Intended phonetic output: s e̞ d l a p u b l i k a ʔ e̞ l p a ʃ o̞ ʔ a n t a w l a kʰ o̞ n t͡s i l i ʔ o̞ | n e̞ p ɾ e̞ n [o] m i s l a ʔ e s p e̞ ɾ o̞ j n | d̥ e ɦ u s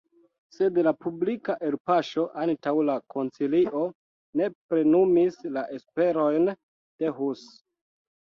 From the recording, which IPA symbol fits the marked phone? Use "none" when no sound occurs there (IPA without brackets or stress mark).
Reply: u